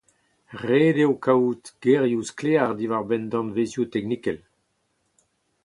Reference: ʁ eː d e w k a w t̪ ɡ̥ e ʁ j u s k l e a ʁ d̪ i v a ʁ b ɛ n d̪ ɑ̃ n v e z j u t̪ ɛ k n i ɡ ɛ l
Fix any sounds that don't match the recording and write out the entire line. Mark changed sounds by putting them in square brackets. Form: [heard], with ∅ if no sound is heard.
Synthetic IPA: ʁ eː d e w k a w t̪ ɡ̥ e ʁ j u s k l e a ʁ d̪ i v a ʁ b ɛ n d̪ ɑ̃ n v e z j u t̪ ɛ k n i [k] ɛ l